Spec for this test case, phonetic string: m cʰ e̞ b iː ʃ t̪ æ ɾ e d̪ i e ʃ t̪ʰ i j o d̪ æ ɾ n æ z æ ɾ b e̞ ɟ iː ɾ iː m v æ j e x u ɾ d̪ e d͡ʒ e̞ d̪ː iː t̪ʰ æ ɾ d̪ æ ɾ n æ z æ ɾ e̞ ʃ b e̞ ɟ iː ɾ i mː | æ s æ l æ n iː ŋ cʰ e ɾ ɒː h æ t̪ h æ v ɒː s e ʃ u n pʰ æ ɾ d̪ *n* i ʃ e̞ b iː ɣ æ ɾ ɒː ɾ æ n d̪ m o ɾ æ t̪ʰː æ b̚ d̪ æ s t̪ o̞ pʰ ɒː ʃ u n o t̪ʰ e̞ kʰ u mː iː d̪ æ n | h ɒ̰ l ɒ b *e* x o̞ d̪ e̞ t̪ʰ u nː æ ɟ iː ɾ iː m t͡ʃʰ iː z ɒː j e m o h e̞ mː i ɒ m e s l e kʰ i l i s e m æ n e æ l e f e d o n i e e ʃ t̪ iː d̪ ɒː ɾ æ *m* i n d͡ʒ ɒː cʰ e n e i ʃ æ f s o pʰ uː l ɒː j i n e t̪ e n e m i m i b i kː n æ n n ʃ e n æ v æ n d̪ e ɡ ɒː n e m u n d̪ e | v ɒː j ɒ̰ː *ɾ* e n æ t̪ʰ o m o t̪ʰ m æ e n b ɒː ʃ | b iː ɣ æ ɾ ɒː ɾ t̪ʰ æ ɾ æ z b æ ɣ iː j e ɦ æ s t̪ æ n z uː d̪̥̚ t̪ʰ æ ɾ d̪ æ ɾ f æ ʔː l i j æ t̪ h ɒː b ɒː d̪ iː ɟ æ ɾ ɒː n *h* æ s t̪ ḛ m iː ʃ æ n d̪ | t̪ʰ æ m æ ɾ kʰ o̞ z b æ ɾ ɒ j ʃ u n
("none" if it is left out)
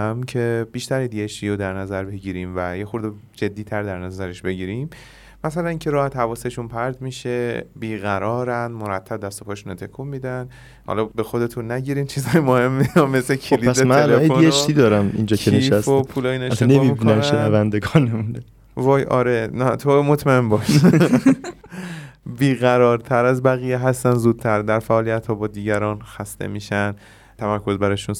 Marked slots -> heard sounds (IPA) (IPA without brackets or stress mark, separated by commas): m, e, m, ɾ, x